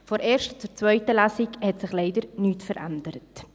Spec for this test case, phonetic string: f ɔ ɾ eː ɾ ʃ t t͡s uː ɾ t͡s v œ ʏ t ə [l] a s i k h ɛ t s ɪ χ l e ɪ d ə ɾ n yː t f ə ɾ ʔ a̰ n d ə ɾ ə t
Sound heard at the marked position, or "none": l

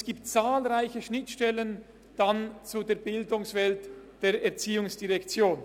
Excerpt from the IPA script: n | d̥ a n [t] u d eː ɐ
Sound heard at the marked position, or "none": t͡s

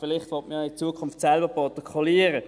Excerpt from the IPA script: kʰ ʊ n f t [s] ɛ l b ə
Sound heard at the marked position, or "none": s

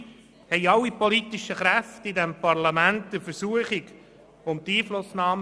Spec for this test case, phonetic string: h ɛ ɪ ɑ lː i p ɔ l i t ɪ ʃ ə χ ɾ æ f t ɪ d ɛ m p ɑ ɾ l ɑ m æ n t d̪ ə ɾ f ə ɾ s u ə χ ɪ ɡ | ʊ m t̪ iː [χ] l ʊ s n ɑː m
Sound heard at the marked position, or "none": f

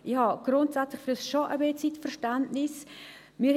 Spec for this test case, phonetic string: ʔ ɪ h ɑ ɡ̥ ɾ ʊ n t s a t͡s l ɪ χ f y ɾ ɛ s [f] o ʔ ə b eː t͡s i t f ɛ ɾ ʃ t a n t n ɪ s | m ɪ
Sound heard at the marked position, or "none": ʃ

